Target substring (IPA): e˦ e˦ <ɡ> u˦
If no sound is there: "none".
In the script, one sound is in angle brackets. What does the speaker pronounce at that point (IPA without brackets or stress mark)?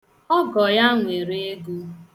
ɡ